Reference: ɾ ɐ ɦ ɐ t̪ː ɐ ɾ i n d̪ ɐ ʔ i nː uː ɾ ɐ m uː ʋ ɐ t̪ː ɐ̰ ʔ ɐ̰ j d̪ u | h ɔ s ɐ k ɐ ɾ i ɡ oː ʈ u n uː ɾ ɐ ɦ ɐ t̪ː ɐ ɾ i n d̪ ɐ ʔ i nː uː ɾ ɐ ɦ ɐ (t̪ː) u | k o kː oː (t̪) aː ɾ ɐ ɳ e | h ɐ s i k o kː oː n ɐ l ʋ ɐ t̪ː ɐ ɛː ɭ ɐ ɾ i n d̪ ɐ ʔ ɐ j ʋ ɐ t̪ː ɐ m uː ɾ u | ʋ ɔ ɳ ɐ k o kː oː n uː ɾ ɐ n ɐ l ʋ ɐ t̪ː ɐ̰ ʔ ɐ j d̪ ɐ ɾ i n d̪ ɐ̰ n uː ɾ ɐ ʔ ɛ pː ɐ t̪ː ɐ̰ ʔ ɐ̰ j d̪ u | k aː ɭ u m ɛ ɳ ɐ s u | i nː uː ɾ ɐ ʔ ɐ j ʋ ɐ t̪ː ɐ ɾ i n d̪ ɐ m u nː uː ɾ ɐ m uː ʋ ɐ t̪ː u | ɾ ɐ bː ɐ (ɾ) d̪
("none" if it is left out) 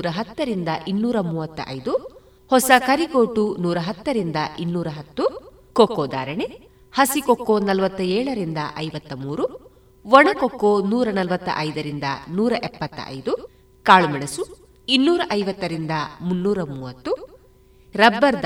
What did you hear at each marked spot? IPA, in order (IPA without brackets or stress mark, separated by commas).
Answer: t̪ː, d̪, ɾ